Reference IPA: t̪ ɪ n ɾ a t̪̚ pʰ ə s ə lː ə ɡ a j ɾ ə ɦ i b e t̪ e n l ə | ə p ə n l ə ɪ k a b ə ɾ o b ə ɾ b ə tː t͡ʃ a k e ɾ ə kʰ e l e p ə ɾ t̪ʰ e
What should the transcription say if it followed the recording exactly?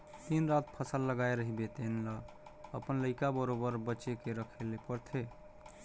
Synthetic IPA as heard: t̪ i n ɾ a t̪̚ pʰ ə s ə lː ə ɡ a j ɾ ə ɦ i b e t̪ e n l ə | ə p ə n l ə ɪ k a b ə ɾ o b ə ɾ b ə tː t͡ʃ e k e ɾ ə kʰ e l e p ə ɾ t̪ʰ e